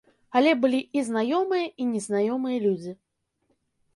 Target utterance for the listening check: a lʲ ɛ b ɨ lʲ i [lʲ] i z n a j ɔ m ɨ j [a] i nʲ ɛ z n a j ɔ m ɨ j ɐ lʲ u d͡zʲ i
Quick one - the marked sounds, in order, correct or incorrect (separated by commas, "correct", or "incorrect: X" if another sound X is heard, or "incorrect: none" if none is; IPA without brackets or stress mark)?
incorrect: none, incorrect: ɐ